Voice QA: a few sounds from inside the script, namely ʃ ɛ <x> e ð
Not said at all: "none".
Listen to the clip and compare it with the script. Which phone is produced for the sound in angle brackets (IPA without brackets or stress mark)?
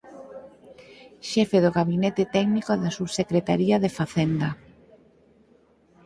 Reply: f